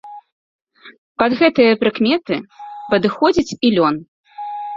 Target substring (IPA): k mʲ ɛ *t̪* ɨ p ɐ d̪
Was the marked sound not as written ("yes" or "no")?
no